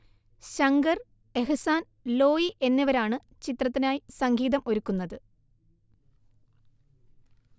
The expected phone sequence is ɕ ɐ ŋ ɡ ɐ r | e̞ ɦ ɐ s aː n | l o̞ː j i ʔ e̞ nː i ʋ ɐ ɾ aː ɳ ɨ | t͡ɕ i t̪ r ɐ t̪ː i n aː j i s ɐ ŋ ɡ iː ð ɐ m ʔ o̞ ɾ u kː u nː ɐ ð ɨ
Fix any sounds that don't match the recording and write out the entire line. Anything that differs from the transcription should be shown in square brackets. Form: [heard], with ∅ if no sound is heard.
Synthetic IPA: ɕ ɐ ŋ ɡ ɐ r | e̞ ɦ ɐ s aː n | l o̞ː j i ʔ e̞ nː i ʋ ɐ ɾ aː ɳ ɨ | t͡ɕ i t̪ r ɐ t̪ː i n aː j i s ɐ ŋ ɡ iː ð ɐ m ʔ o̞ ɾ u kː u nː ɐ ð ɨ